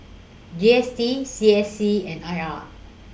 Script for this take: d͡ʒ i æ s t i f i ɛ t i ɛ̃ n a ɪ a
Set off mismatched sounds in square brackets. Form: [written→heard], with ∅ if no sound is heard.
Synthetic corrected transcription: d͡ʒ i [æ→ɛ] s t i [f→s] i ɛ [t→s] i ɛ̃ n a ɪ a

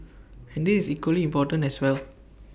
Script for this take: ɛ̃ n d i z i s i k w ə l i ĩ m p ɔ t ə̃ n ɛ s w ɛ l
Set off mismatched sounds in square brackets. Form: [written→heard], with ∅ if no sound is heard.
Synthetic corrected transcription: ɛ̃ n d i [z→s] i s i k w ə l i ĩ m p ɔ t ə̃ n ɛ s w ɛ l

